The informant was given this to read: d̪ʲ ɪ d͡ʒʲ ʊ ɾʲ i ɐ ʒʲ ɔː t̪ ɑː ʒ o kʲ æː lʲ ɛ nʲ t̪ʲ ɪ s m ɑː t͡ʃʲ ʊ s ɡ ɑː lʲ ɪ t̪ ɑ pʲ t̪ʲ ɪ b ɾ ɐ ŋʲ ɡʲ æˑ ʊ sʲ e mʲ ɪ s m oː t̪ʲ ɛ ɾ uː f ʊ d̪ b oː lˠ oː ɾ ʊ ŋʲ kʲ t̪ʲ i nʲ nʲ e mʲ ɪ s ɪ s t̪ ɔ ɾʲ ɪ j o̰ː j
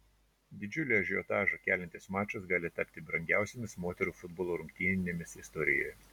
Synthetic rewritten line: d̪ʲ ɪ d͡ʒʲ ʊ lʲ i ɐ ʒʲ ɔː t̪ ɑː ʒ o kʲ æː lʲ ɛ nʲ t̪ʲ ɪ s m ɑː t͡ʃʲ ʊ s ɡ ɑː lʲ ɪ t̪ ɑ pʲ t̪ʲ ɪ b ɾ ɐ ŋʲ ɡʲ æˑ ʊ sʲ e mʲ ɪ s m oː t̪ʲ ɛ ɾ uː f ʊ d̪ b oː lˠ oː ɾ ʊ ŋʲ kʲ t̪ʲ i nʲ nʲ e mʲ ɪ s ɪ s t̪ ɔ ɾʲ ɪ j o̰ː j